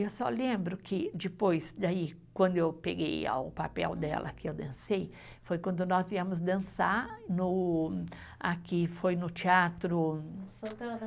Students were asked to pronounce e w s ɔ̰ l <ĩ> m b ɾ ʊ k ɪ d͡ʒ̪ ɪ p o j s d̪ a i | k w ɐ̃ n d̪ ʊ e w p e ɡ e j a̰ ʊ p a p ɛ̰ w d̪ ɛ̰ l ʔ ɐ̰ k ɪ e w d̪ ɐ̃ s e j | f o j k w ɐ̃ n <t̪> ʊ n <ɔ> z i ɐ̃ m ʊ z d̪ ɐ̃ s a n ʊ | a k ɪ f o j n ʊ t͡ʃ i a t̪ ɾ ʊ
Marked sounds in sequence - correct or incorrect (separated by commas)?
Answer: incorrect, incorrect, correct